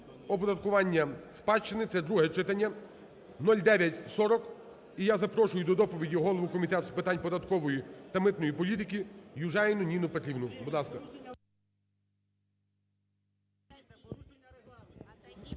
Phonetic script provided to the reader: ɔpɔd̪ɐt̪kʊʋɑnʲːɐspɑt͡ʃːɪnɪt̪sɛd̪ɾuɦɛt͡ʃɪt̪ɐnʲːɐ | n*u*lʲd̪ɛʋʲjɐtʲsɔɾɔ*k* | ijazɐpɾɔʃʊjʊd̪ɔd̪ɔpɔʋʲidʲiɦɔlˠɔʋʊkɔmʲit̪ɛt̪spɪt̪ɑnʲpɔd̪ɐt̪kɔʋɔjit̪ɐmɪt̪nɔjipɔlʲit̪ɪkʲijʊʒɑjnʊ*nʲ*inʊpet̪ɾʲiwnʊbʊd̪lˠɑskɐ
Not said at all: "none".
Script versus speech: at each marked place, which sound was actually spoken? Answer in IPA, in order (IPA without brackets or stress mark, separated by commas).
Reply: ɔ, k, nʲ